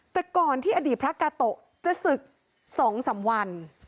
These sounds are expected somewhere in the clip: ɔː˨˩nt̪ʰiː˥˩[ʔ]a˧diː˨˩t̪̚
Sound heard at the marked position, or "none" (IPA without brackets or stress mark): ʔ